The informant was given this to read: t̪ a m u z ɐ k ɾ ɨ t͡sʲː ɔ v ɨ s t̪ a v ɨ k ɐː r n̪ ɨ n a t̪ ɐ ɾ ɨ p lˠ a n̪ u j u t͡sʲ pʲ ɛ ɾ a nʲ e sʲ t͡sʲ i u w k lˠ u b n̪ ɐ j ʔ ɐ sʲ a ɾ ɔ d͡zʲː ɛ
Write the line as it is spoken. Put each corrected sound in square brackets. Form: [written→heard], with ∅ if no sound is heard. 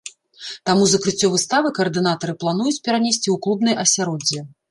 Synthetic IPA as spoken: t̪ a m u z ɐ k ɾ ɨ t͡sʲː ɔ v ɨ s t̪ a v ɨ k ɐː r [n̪→d̪] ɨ n a t̪ ɐ ɾ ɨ p lˠ a n̪ u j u t͡sʲ pʲ ɛ ɾ a nʲ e sʲ t͡sʲ i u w k lˠ u b n̪ ɐ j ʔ ɐ sʲ a ɾ ɔ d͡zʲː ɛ

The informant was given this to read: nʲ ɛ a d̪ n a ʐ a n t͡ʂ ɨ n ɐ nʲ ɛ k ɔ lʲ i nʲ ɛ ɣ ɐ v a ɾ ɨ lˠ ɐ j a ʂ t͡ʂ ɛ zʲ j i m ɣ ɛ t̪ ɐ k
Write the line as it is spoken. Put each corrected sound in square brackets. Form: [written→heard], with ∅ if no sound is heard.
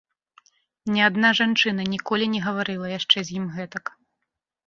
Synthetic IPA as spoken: nʲ ɛ a d̪ n a ʐ a n t͡ʂ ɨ n ɐ nʲ [ɛ→i] k ɔ lʲ i nʲ ɛ ɣ ɐ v a ɾ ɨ lˠ ɐ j a ʂ t͡ʂ ɛ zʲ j i m ɣ ɛ t̪ ɐ k

